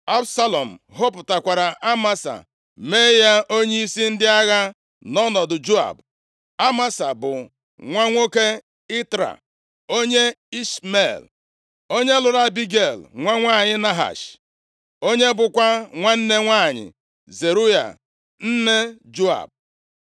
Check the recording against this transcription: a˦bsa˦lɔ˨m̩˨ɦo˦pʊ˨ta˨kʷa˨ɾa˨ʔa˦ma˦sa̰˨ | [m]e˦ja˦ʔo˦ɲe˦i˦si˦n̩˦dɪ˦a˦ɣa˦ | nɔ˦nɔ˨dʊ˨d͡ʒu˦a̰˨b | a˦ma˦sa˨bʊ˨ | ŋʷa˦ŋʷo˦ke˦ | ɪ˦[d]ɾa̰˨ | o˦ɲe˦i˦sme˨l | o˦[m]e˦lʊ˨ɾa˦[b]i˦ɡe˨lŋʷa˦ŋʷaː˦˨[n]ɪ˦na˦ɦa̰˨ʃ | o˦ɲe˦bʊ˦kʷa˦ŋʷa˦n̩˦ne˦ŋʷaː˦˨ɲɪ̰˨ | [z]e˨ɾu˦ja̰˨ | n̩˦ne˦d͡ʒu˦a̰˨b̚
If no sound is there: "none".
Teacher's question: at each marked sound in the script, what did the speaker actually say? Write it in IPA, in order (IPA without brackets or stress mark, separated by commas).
m, t, ɲ, b, ɲ, z